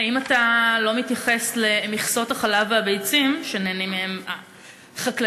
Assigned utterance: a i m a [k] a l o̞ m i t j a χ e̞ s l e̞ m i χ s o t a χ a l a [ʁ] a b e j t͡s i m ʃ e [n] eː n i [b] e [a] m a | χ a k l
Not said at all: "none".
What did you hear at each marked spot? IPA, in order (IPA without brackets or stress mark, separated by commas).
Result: t, v, n, m, e